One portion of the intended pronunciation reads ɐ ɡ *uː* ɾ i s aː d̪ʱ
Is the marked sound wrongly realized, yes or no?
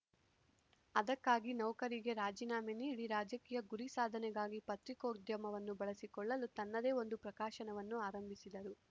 yes